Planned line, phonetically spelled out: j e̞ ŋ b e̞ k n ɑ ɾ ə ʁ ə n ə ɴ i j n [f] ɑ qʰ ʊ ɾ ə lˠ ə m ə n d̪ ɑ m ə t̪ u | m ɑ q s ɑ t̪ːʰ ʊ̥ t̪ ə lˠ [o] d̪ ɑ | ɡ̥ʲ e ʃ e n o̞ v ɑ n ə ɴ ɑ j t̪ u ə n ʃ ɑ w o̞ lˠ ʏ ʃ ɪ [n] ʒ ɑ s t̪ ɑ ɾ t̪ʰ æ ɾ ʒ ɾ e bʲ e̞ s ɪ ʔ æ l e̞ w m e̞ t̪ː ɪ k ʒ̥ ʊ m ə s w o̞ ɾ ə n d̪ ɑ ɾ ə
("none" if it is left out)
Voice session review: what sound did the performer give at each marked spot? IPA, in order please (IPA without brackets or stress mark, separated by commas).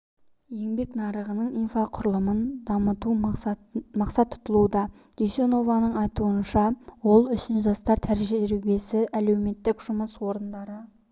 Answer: f, u, n